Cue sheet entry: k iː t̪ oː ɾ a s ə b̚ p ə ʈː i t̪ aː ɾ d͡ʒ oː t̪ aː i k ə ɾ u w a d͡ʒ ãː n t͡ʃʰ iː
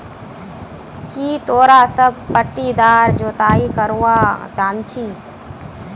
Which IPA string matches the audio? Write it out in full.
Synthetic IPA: k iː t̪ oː ɾ a s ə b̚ p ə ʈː i d̪ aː ɾ d͡ʒ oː t̪ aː i k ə ɾ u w a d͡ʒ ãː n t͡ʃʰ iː